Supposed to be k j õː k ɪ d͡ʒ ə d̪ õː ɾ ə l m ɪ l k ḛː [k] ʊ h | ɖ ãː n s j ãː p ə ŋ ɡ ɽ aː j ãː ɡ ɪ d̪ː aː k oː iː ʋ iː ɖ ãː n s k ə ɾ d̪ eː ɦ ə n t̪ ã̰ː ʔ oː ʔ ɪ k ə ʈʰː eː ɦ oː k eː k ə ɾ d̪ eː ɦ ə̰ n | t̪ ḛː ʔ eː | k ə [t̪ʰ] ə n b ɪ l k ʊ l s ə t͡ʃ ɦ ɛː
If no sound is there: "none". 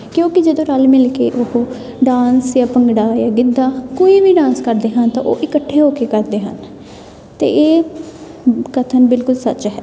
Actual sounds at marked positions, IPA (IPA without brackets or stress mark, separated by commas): ʔ, t̪ʰ